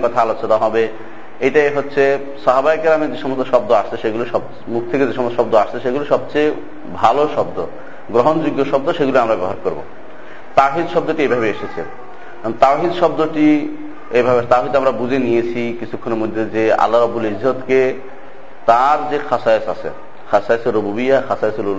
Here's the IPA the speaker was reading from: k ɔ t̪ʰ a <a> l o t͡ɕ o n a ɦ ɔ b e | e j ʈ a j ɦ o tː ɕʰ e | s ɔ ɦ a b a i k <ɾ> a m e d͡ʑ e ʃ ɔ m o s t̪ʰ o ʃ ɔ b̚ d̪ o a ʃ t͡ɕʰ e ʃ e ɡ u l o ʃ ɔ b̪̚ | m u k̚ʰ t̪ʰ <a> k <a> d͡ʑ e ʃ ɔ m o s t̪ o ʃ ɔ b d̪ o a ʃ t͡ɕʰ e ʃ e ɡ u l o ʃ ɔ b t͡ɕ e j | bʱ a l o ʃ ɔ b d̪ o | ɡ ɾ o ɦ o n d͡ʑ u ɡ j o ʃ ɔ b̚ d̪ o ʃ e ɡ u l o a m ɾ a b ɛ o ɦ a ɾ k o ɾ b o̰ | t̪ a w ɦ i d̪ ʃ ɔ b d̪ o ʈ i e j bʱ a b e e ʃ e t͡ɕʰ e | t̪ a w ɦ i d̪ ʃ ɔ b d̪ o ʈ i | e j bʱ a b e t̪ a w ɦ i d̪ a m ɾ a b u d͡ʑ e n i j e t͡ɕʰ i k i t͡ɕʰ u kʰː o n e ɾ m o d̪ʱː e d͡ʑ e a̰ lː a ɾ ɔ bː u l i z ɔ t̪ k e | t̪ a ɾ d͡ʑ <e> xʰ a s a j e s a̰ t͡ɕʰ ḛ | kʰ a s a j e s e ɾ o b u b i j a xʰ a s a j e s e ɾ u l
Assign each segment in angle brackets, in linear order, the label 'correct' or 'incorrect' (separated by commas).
correct, correct, incorrect, incorrect, correct